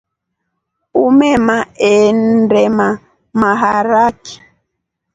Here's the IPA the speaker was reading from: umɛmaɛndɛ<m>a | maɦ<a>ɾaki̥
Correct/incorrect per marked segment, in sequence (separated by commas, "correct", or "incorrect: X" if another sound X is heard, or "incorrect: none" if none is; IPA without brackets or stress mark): correct, correct